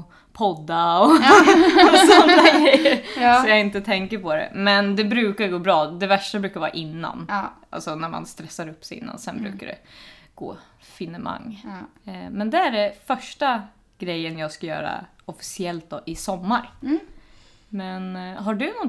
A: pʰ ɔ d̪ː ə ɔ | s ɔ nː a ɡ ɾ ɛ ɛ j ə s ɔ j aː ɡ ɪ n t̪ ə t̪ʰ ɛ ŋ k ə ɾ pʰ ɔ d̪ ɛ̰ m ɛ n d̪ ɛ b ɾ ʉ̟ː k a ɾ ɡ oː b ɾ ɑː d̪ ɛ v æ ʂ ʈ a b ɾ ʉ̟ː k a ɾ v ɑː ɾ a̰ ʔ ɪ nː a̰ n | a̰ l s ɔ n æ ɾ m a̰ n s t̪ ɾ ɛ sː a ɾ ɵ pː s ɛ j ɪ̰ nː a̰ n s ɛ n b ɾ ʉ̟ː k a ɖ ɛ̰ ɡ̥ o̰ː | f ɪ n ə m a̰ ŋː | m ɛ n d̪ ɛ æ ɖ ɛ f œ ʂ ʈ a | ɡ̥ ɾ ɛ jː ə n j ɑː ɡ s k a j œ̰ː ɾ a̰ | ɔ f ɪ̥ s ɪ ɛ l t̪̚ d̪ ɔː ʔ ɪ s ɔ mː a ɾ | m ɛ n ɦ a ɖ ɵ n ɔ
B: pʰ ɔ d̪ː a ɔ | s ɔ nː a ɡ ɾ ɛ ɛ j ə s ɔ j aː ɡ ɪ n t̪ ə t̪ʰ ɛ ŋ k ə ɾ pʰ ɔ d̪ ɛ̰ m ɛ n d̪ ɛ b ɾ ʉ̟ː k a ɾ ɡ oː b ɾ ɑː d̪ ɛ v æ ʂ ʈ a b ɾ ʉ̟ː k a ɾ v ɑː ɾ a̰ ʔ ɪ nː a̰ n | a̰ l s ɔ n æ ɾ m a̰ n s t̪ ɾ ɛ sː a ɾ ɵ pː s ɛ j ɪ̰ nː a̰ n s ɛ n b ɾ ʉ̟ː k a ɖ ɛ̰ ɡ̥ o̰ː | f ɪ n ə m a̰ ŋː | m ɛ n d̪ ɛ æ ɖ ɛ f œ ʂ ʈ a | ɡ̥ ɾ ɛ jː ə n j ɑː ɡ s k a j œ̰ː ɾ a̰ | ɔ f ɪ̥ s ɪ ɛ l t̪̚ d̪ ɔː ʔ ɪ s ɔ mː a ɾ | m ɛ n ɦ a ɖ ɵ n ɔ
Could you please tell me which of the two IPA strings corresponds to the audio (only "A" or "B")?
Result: B